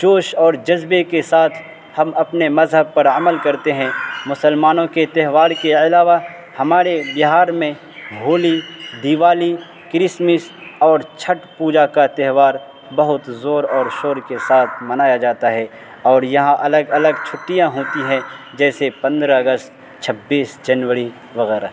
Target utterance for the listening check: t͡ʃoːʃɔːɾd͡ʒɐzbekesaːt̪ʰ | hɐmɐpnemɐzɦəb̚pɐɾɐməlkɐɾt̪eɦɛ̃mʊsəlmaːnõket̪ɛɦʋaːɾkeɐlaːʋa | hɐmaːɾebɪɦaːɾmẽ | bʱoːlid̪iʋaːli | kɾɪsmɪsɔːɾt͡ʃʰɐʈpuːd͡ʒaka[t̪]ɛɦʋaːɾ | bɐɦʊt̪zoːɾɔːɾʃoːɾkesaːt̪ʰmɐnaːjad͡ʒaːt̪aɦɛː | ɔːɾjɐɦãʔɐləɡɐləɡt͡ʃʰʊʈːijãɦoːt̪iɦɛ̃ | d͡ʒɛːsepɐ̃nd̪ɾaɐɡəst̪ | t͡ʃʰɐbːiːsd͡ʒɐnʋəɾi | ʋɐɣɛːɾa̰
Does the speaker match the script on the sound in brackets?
yes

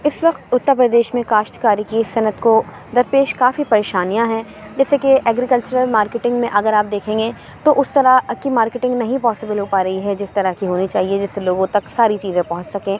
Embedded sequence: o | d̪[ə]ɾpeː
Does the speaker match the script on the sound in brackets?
no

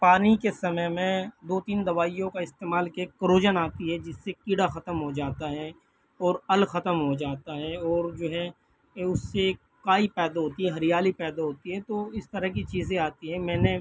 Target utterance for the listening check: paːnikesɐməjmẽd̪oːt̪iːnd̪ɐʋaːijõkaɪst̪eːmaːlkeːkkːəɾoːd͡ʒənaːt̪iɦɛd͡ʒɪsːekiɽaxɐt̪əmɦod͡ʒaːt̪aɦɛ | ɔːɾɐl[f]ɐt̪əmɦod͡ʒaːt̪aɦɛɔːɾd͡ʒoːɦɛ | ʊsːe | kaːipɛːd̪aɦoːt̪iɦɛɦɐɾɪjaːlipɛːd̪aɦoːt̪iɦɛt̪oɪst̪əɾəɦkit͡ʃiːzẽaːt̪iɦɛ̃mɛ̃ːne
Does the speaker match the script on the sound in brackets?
no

